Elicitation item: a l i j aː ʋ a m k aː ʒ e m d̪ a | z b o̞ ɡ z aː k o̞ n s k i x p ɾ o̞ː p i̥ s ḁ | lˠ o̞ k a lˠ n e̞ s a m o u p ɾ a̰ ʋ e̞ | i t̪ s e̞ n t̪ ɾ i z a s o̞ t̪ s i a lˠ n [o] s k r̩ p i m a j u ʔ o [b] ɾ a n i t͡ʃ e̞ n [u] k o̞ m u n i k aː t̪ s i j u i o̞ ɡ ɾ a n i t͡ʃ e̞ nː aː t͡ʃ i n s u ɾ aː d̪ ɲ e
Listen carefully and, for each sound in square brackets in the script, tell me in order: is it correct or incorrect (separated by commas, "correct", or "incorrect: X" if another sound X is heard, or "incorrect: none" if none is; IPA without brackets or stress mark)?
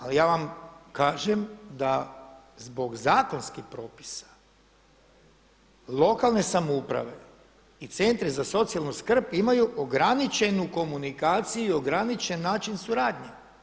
incorrect: u, incorrect: ɡ, correct